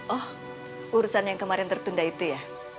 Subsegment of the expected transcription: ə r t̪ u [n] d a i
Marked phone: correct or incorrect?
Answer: correct